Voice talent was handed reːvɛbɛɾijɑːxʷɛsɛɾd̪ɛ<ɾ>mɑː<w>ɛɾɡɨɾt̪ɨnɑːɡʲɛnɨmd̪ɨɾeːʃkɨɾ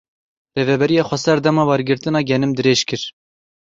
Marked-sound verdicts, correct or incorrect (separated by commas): incorrect, correct